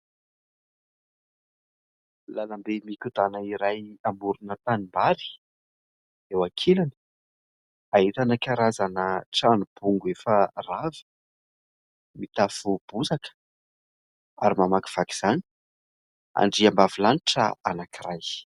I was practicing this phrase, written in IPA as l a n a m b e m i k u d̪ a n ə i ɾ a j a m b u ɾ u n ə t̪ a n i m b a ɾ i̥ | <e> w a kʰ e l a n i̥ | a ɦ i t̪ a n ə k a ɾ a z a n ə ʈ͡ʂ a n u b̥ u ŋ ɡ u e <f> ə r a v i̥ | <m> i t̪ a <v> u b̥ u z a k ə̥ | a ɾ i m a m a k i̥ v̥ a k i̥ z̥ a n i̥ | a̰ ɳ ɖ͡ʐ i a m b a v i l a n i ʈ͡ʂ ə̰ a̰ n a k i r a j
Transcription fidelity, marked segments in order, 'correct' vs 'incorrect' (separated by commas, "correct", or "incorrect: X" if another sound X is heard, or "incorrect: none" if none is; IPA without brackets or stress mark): correct, correct, correct, incorrect: f